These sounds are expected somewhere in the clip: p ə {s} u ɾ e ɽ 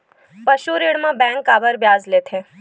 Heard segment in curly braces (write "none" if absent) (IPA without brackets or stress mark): ʃ